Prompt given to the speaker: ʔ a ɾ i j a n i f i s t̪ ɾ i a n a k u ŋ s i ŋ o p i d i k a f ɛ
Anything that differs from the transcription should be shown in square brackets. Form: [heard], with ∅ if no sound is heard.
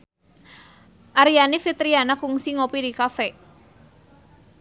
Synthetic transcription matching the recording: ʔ a ɾ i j a n i f i [∅] t̪ ɾ i a n a k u ŋ s i ŋ o p i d i k a f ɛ